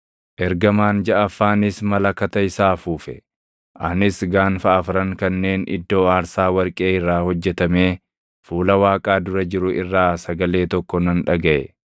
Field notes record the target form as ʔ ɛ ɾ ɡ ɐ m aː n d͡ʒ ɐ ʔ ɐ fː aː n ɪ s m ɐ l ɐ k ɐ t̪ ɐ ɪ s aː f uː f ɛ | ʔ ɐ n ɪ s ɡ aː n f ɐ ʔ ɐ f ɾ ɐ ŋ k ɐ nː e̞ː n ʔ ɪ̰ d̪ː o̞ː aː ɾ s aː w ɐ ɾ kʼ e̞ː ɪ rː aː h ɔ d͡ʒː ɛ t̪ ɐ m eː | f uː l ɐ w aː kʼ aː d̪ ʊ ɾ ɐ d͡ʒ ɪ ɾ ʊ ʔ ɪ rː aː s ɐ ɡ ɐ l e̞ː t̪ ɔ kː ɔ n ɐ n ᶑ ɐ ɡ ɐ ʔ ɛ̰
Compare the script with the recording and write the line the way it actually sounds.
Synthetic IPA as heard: ʔ ɛ ɾ ɡ ɐ m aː n d͡ʒ ɐ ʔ ɐ fː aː n ɪ s m ɐ l ɐ k ɐ t̪ ɐ ɪ s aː f uː f ɛ | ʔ ɐ n ɪ s ɡ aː n f ɐ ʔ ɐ f ɾ ɐ ŋ k ɐ nː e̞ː n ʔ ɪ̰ d̪ː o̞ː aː ɾ s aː w ɐ ɾ kʼ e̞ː ɪ rː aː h ɔ d͡ʒː ɛ t̪ ɐ m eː | f uː l ɐ w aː kʼ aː d̪ ʊ ɾ ɐ d͡ʒ ɪ ɾ ʊ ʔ ɪ rː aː s ɐ ɡ ɐ l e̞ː t̪ ɔ kː ɔ n ɐ n ᶑ ɐ ɡ ɐ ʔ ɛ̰

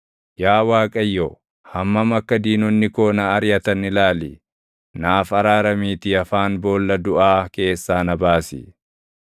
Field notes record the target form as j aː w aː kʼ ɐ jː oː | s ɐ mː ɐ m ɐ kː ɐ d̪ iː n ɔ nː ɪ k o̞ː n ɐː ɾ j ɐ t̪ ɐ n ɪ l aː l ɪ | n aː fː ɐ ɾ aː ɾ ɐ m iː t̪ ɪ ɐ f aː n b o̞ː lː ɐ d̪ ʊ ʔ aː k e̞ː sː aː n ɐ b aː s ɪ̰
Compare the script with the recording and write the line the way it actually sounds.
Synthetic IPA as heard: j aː w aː kʼ ɐ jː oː | h ɐ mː ɐ m ɐ kː ɐ d̪ iː n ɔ nː ɪ k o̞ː n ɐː ɾ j ɐ t̪ ɐ n ɪ l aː l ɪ | n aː f ɐ ɾ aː ɾ ɐ m iː t̪ ɪ ɐ f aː n b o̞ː lː ɐ d̪ ʊ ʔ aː k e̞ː sː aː n ɐ b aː s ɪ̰

